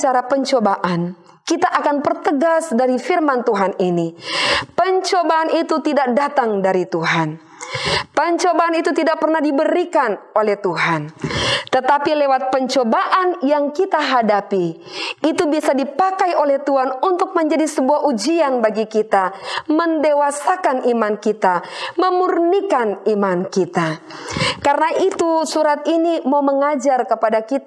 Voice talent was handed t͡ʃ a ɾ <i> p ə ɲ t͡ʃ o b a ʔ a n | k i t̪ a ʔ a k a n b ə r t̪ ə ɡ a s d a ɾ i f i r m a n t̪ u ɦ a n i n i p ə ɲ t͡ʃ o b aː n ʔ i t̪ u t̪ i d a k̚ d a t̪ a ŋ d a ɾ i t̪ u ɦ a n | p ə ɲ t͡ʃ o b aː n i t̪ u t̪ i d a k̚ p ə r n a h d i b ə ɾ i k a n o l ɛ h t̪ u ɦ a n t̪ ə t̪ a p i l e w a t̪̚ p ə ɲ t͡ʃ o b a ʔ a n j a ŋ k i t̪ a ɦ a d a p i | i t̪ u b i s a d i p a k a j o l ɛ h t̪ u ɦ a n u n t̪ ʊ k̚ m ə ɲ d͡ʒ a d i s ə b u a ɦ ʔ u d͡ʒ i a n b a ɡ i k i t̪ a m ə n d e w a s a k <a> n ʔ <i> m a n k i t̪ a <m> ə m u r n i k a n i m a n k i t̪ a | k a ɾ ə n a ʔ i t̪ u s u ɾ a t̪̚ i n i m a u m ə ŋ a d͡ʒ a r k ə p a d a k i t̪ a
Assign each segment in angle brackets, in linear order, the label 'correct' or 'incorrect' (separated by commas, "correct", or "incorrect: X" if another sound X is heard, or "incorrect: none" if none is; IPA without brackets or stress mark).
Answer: incorrect: a, correct, correct, correct